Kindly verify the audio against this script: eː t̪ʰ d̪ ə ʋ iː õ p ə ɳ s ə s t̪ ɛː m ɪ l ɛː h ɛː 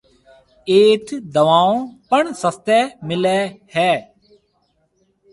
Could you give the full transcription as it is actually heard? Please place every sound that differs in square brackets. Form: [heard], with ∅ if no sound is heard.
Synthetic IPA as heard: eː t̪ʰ d̪ ə ʋ [aː] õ p ə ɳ s ə s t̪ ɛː m ɪ l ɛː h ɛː